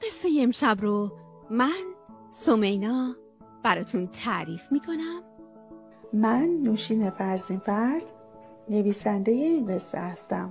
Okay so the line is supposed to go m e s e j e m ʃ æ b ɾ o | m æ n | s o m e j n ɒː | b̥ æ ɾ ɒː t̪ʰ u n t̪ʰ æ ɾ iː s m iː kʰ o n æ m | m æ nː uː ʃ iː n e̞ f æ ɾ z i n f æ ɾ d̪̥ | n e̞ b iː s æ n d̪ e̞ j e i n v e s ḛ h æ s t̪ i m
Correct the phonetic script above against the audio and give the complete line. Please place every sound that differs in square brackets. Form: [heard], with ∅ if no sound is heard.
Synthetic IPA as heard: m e s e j e m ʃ æ b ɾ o | m æ n | s o m e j n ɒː | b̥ æ ɾ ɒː t̪ʰ u n t̪ʰ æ ɾ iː [f] m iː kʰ o n æ m | m æ nː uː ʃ iː n e̞ f æ ɾ z i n f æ ɾ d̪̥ | n e̞ [v] iː s æ n d̪ e̞ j e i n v e s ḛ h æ s t̪ [æ] m